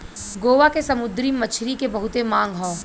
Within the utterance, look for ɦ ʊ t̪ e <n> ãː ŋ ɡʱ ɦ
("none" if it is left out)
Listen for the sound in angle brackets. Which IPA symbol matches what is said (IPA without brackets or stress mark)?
m